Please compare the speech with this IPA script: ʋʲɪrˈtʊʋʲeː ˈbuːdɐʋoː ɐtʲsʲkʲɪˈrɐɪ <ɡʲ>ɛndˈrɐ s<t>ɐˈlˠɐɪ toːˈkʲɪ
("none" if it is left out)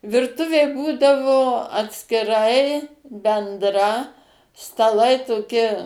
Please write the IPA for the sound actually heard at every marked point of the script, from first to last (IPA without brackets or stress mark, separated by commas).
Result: bʲ, t